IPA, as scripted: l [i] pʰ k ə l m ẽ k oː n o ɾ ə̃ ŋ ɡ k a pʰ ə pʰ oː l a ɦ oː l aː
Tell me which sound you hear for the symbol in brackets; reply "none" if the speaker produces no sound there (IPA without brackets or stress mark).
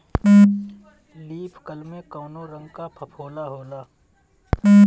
iː